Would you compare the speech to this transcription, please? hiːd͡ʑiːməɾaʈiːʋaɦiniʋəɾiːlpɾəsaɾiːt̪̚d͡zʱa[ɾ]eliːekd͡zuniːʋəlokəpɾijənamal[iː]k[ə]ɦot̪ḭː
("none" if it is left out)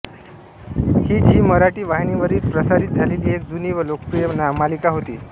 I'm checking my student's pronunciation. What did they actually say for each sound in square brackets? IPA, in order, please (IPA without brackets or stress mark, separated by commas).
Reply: l, i, a